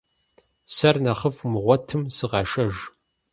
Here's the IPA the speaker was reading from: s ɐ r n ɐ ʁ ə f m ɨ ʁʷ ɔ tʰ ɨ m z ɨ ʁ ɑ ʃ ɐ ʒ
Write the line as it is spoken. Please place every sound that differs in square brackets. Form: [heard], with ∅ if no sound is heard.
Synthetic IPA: s ɐ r n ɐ [χ] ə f m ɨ ʁʷ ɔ tʰ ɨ m [s] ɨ ʁ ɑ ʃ ɐ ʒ